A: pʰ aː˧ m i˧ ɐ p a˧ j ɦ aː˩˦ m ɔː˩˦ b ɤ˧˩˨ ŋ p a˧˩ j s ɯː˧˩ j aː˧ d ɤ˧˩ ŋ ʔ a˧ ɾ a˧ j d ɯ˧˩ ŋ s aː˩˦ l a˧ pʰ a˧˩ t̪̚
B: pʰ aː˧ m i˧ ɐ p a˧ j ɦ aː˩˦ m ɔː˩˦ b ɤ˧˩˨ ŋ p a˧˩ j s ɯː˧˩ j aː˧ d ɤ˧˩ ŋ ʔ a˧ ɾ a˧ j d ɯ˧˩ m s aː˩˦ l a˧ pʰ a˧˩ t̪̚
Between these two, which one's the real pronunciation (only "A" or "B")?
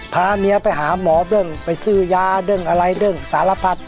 A